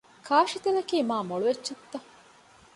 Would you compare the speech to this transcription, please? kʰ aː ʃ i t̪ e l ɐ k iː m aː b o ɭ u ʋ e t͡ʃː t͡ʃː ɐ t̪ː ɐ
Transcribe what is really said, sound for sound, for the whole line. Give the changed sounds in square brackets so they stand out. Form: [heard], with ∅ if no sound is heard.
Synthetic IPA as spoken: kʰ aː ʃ i t̪ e l ɐ k iː m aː [m] o ɭ u ʋ e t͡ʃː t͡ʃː ɐ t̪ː ɐ